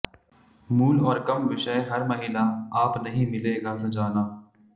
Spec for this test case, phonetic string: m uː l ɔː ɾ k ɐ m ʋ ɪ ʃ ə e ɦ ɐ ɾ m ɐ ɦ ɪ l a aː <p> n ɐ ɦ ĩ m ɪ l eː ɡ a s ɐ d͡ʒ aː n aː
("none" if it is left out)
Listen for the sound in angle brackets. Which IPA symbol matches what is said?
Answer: p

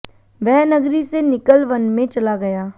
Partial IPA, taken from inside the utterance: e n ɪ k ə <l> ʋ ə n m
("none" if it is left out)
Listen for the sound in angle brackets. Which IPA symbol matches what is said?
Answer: l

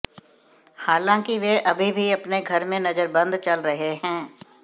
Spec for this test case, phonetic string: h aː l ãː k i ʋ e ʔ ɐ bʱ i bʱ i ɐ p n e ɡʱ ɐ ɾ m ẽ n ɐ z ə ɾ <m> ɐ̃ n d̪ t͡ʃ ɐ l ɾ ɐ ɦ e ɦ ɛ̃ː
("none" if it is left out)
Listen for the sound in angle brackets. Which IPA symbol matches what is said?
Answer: b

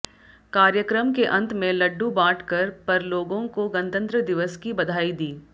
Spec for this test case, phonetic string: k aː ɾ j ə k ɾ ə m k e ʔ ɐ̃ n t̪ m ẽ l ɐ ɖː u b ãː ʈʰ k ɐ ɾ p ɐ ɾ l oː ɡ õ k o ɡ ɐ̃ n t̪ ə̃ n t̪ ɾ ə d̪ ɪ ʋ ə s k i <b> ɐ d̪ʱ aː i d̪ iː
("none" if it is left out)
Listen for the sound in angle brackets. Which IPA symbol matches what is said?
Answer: b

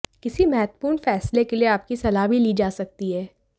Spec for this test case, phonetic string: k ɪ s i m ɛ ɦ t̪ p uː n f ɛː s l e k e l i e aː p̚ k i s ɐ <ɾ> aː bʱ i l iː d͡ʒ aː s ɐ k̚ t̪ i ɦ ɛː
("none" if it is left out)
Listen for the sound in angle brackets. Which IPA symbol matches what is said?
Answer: l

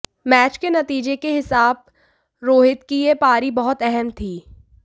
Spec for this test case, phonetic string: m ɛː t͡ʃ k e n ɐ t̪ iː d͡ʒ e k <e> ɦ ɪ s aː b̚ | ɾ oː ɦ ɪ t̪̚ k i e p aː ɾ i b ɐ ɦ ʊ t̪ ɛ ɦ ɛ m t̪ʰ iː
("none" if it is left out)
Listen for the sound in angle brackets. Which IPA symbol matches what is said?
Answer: e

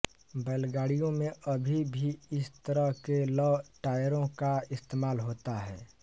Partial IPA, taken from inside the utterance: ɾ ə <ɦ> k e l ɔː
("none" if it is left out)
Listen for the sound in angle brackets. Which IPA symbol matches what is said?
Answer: ɦ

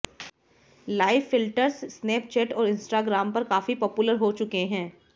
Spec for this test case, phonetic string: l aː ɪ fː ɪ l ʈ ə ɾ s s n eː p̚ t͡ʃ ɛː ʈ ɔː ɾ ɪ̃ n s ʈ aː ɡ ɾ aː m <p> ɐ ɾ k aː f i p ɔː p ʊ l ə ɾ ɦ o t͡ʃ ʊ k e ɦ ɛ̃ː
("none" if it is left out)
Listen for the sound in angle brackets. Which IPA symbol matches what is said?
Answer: p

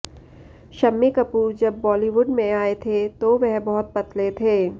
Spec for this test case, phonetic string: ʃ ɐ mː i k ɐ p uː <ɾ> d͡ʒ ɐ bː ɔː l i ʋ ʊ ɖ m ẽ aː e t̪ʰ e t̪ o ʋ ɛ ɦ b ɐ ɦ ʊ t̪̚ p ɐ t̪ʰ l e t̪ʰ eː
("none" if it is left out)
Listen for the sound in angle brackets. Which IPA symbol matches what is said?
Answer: ɾ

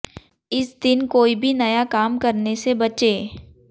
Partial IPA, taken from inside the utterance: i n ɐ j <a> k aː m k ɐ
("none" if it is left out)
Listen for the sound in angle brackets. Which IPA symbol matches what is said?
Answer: a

